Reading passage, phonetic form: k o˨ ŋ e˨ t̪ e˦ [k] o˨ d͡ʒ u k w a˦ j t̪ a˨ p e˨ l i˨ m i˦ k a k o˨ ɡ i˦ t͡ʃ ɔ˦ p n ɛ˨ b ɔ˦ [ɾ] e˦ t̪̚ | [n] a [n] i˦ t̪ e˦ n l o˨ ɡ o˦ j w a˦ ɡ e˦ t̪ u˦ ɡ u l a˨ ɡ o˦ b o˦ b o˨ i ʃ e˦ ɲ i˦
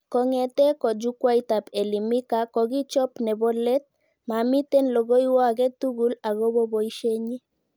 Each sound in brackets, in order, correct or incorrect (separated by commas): correct, incorrect, incorrect, incorrect